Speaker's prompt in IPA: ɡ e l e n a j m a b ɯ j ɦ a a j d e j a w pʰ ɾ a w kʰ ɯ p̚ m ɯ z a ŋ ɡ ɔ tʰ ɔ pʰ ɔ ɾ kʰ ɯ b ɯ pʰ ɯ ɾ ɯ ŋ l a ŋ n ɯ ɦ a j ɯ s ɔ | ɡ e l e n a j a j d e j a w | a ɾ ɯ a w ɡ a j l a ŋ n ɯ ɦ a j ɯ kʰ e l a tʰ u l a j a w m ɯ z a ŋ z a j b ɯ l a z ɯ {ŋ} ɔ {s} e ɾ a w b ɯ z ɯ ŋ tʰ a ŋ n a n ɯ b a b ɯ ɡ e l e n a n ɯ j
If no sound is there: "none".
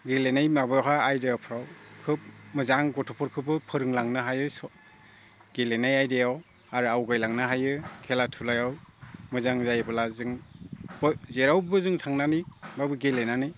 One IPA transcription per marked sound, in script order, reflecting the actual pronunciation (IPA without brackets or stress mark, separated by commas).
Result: ŋ, z